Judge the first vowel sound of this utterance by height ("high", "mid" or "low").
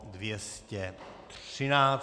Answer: mid